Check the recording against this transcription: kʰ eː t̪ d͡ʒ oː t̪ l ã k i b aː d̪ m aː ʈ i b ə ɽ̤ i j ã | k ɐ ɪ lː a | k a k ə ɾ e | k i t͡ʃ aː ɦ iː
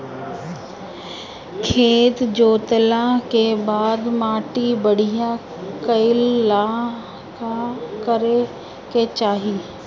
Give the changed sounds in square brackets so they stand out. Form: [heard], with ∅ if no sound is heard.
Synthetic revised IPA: kʰ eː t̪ d͡ʒ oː t̪ l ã k [e] b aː d̪ m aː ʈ i b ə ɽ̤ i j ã | k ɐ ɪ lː a | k a k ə ɾ e | k [e] t͡ʃ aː ɦ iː